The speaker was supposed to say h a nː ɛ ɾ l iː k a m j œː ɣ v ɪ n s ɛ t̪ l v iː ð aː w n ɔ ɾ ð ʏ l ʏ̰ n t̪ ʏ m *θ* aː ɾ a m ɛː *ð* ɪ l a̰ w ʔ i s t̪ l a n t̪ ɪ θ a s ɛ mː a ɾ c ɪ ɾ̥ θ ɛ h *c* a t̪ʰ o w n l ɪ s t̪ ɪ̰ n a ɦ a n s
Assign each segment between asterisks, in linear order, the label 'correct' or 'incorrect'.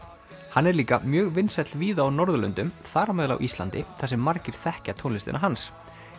correct, correct, correct

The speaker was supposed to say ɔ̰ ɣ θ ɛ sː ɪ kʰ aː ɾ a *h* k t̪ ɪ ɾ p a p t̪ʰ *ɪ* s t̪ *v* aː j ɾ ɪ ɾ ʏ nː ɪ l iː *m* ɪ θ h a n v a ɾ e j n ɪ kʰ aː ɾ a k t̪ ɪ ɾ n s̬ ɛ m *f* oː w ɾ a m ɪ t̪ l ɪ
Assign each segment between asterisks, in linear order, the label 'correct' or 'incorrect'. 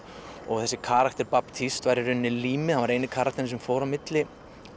incorrect: none, incorrect: i, correct, correct, correct

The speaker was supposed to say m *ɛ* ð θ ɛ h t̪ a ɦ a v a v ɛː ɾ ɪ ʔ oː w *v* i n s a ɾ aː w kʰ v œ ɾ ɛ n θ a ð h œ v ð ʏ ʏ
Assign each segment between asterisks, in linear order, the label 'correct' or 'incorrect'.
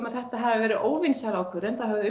incorrect: a, correct

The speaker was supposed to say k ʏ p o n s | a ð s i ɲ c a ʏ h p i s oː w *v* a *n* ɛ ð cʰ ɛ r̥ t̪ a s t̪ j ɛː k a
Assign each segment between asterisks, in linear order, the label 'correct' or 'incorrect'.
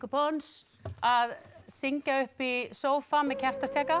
incorrect: f, incorrect: m

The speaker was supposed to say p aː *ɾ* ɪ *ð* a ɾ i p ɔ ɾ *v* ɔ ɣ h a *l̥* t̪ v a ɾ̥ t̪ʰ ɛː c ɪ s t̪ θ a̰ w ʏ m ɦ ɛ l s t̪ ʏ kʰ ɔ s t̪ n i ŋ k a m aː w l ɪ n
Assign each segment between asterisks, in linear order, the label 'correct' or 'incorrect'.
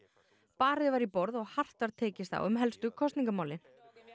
correct, incorrect: v, incorrect: ð, incorrect: r̥

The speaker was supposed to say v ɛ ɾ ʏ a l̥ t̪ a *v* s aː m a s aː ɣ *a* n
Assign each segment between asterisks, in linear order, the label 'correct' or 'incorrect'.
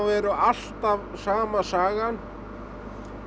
correct, correct

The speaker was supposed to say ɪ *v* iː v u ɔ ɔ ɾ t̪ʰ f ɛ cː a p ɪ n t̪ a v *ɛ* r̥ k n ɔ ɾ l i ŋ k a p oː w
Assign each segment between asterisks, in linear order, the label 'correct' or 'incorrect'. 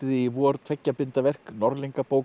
incorrect: ð, correct

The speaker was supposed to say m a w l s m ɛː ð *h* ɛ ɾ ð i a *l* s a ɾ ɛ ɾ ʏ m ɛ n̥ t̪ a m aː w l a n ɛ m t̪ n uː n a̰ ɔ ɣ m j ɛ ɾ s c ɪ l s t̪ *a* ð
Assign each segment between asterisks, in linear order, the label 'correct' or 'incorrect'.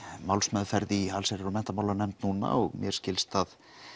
incorrect: f, correct, correct

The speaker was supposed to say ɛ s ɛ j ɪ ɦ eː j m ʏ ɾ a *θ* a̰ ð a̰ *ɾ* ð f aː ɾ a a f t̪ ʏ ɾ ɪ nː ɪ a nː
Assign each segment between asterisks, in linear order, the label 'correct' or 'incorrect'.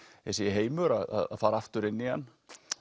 incorrect: ð, incorrect: none

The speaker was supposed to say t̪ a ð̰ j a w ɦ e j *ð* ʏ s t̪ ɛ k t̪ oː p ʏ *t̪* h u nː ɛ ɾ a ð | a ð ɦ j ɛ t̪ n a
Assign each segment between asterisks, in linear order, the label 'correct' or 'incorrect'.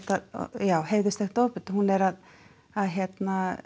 correct, correct

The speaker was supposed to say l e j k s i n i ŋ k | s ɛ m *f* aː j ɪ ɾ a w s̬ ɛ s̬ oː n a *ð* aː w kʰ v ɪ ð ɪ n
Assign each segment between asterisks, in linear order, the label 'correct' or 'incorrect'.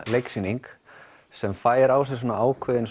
correct, incorrect: none

